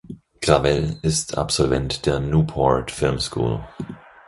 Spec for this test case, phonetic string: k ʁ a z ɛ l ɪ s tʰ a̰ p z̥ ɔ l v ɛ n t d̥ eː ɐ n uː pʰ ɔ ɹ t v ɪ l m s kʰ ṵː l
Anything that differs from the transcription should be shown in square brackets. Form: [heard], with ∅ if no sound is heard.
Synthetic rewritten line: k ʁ a [v] ɛ l ɪ s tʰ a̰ p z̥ ɔ l v ɛ n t d̥ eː ɐ n uː pʰ ɔ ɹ t [f] ɪ l m s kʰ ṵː l